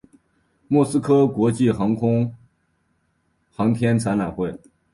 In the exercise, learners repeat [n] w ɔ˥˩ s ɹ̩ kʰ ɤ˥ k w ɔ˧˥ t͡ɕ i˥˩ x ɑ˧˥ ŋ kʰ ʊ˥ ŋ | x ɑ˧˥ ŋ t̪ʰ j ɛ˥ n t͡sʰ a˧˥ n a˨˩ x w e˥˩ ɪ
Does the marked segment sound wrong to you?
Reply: yes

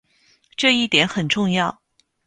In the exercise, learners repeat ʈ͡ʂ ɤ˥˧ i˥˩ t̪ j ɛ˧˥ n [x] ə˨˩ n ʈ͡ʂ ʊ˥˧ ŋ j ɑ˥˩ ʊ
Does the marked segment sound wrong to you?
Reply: no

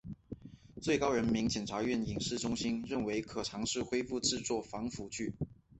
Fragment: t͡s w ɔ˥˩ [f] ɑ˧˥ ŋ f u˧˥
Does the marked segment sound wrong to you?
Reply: no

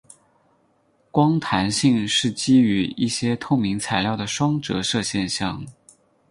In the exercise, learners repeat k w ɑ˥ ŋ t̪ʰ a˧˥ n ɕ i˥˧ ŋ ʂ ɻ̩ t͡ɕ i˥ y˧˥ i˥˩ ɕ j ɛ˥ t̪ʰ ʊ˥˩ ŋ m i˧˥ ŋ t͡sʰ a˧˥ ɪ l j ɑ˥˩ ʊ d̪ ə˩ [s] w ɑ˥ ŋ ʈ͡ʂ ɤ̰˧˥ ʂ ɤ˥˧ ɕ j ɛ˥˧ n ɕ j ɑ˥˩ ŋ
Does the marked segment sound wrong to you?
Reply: yes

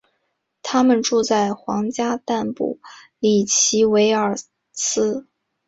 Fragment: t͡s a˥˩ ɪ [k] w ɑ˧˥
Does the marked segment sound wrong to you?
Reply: yes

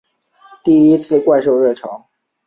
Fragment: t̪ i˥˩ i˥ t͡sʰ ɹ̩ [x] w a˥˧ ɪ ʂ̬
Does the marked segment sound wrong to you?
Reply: yes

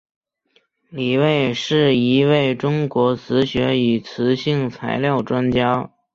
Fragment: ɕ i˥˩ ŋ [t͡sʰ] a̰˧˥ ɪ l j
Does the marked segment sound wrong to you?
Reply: no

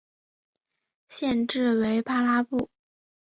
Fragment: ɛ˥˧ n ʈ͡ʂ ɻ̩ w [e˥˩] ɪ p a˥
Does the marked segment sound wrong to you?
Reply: yes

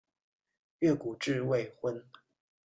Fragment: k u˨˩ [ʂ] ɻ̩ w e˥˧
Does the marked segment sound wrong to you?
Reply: yes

